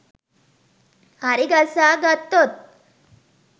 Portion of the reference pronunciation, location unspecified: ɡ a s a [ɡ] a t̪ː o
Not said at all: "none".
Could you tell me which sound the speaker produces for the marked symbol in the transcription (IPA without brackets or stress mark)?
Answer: ɡ